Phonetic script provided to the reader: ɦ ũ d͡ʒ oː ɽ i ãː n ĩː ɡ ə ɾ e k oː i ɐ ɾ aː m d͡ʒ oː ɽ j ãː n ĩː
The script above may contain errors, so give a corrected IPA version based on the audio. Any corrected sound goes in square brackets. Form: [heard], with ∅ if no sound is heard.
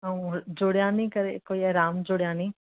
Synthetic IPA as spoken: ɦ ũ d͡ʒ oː ɽ [j] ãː n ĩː [k] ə ɾ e k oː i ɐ ɾ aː m d͡ʒ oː ɽ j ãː n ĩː